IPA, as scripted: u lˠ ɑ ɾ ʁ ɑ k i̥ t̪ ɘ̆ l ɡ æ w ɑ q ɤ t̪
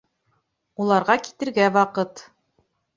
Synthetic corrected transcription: u lˠ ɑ ɾ ʁ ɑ k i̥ t̪ ɘ̆ ɾ ɡ æ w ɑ q ɤ t̪